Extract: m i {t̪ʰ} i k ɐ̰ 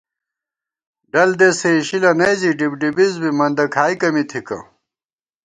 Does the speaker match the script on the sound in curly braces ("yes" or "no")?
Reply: yes